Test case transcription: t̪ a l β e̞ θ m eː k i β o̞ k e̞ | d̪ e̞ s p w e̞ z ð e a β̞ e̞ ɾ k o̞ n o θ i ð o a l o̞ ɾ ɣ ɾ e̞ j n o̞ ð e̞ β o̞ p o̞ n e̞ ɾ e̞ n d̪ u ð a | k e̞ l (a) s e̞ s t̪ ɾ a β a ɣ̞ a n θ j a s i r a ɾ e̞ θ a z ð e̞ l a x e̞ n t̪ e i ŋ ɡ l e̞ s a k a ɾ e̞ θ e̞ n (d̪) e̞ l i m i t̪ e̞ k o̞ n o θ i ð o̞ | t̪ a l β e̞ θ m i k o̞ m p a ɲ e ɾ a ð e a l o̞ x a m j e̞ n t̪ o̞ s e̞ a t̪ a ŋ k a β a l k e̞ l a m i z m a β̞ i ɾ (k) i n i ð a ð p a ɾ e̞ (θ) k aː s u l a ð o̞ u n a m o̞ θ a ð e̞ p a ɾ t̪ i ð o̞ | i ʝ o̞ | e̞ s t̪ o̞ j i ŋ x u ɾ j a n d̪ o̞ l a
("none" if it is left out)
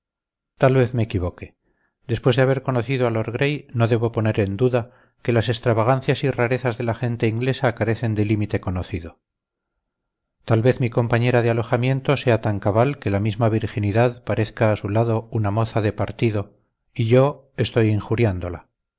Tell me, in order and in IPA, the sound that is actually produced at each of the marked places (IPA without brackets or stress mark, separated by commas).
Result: a, d̪, x, θ